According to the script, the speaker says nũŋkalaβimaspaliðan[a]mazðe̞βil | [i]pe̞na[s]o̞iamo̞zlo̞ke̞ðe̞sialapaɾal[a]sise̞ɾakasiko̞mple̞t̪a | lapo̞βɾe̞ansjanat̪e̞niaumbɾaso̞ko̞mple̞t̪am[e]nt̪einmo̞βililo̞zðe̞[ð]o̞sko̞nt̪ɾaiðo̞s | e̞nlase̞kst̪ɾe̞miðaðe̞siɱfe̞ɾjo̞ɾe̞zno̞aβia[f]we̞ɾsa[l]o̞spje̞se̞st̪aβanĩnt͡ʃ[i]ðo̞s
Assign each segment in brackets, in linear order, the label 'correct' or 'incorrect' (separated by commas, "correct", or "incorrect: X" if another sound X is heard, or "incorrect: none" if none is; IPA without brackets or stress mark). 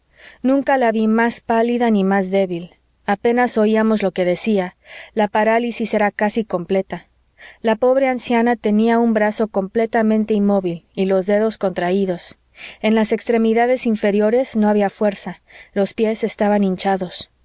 incorrect: i, incorrect: a, correct, incorrect: i, incorrect: ẽ, correct, correct, correct, incorrect: a